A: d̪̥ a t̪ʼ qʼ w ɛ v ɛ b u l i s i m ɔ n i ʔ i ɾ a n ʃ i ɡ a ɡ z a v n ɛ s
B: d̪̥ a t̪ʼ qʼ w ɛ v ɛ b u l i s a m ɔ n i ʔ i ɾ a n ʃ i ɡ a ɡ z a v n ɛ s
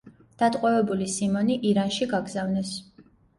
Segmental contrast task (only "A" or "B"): A